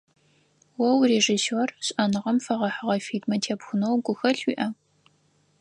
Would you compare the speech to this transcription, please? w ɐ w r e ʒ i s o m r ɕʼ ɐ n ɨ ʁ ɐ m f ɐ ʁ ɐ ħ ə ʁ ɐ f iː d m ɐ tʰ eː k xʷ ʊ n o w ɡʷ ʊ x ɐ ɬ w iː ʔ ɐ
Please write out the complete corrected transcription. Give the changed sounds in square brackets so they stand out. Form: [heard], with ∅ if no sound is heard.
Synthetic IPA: w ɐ w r e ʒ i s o [∅] r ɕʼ ɐ n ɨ ʁ ɐ m f ɐ ʁ ɐ ħ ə ʁ ɐ f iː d m ɐ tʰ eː [p] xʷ ʊ n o w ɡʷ ʊ x ɐ ɬ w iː ʔ ɐ